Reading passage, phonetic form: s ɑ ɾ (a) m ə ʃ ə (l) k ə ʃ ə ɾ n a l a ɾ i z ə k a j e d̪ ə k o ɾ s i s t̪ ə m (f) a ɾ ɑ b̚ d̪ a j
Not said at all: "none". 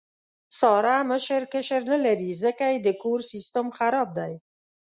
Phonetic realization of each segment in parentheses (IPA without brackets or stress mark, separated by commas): a, ɾ, x